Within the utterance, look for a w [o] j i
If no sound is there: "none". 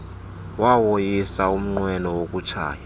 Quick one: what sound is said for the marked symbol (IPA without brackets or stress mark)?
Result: o